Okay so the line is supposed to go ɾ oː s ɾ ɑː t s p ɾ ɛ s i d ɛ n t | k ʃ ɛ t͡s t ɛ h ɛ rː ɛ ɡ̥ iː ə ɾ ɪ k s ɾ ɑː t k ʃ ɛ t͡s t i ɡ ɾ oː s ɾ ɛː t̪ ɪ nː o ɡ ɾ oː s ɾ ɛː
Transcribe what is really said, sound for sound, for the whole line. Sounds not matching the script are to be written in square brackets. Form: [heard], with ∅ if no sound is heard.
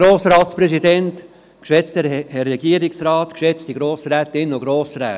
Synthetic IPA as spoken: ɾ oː s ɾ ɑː t s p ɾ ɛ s i d ɛ n t | k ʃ ɛ t͡s t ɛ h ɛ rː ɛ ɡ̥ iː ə ɾ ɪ k s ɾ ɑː t k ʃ ɛ t͡s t i ɡ ɾ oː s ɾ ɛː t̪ ɪ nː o ɡ ɾ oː s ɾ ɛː